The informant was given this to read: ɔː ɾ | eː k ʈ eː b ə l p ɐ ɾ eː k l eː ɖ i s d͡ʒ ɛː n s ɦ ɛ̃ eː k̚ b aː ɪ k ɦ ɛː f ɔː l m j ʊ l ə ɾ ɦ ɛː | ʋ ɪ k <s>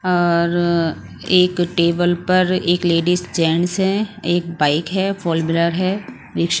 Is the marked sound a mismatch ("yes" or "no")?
yes